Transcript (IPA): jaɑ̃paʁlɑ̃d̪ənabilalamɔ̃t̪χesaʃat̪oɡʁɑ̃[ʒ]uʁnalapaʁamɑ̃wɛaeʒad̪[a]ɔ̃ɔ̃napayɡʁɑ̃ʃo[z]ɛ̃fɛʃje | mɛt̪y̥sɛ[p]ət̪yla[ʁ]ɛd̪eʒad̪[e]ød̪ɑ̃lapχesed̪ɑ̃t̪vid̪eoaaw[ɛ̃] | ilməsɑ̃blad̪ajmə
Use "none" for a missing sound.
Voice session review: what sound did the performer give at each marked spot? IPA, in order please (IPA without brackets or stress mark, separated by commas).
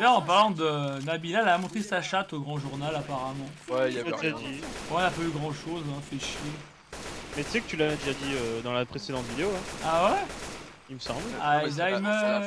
ʒ, i, z, k, v, i, ɛ